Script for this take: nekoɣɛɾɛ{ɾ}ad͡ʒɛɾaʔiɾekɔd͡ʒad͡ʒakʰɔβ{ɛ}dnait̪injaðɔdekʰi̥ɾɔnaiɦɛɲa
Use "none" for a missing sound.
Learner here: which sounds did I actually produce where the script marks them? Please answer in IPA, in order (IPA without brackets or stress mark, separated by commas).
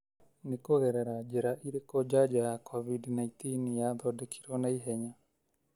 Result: ɾ, i